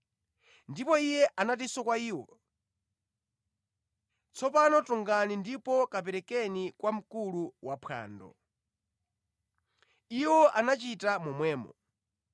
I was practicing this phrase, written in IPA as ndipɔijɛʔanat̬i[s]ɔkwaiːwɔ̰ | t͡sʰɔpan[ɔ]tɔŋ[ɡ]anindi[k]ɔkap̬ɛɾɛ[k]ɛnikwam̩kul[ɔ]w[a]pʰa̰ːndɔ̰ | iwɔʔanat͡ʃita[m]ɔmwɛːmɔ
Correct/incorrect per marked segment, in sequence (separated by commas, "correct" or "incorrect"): correct, correct, correct, incorrect, correct, incorrect, correct, correct